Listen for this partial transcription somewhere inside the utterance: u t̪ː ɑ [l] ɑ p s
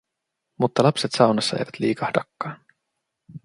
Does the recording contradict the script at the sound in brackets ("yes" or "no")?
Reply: no